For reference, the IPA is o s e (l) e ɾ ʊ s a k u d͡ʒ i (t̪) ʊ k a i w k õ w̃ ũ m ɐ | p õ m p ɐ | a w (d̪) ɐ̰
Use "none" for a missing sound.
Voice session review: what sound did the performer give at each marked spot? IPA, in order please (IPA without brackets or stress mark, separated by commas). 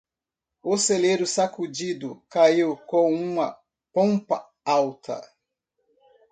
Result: l, d̪, t̪